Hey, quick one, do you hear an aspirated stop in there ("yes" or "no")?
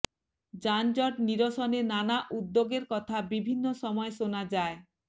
yes